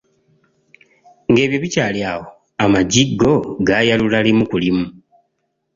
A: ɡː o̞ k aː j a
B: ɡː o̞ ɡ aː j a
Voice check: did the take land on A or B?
B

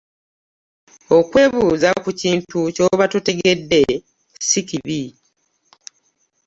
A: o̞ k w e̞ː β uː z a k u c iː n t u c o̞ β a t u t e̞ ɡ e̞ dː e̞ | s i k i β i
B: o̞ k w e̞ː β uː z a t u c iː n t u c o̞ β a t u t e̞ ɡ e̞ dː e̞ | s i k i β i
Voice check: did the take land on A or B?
A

